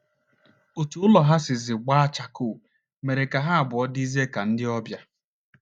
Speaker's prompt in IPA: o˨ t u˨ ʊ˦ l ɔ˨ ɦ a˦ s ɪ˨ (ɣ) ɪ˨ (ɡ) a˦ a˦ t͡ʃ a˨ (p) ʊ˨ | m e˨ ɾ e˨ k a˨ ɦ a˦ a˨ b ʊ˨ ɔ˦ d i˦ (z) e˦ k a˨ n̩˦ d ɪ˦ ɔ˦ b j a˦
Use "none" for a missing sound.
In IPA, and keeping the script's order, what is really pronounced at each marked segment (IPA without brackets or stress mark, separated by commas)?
z, ɡ͡b, k, z